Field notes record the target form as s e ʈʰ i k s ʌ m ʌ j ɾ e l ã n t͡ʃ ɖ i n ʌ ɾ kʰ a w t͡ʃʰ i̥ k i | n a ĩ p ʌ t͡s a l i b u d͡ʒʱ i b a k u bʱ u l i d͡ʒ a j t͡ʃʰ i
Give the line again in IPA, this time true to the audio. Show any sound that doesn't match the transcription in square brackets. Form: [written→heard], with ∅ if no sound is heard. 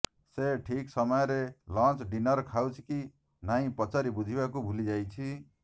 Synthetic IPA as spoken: s e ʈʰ i k s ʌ m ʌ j ɾ e l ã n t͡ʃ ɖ i n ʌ ɾ kʰ a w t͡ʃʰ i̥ k i | n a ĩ p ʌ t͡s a [l→ɾ] i b u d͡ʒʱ i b a k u bʱ u l i d͡ʒ a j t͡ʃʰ i